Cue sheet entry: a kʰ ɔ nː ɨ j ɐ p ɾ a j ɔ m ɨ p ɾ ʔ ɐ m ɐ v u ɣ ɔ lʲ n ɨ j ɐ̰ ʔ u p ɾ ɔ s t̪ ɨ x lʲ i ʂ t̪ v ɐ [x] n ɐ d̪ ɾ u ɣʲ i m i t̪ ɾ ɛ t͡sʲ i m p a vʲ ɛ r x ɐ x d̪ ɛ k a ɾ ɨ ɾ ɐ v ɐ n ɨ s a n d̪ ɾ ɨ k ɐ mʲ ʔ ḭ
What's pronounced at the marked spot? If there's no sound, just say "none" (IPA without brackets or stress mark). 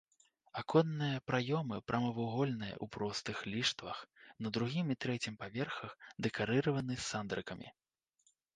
x